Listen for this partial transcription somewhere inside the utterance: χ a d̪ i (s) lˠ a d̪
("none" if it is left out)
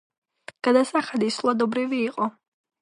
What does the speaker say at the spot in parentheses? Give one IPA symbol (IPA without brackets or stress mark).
s